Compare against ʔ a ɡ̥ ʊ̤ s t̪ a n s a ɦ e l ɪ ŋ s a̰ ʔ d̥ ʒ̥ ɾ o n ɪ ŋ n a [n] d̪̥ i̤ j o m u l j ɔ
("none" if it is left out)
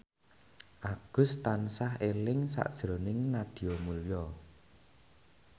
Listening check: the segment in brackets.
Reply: none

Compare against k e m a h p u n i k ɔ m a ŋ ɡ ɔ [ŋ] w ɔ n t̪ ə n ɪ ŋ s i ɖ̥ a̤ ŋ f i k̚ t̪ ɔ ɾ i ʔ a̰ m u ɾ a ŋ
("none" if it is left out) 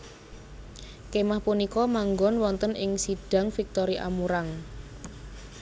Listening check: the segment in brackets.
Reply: n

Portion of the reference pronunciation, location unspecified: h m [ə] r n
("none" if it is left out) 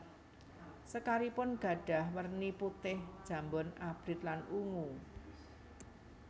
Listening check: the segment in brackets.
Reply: ə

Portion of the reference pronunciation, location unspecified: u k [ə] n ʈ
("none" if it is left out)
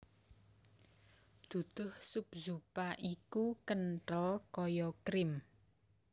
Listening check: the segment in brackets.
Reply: ə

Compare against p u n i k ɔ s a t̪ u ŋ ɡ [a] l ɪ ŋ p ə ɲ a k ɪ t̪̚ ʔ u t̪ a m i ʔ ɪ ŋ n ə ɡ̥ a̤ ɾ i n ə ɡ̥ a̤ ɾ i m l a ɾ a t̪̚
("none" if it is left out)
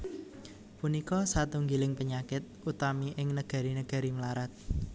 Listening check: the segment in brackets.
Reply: i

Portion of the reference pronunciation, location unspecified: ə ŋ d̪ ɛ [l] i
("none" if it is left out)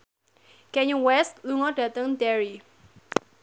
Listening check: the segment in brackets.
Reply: ɹ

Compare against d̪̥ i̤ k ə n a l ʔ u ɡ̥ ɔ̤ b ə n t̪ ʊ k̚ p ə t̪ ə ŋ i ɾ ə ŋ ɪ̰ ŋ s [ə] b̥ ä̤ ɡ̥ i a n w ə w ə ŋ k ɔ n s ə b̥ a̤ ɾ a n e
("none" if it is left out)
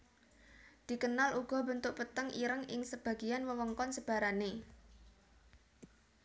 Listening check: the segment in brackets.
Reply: ə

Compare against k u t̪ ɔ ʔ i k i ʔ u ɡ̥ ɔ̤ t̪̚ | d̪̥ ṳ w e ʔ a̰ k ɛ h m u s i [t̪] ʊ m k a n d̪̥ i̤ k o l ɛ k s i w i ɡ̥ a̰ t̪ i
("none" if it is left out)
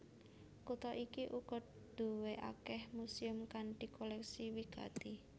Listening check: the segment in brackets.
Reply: none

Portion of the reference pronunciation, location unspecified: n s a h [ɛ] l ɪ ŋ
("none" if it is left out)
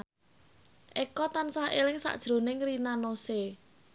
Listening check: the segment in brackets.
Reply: e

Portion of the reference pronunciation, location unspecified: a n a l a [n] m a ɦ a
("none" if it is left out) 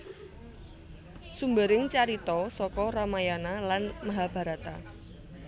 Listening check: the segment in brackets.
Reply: n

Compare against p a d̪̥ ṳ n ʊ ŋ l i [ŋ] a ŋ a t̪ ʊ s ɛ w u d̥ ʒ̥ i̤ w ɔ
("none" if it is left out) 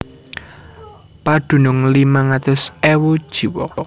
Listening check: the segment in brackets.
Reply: m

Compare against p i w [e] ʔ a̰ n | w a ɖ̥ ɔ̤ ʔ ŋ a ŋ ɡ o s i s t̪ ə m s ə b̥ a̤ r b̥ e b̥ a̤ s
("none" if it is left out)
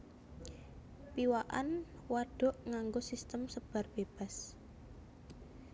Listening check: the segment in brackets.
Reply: a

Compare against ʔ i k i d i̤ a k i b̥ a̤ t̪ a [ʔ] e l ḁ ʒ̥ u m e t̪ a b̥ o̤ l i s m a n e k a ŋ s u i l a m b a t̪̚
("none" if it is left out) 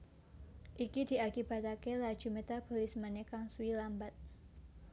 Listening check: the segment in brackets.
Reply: k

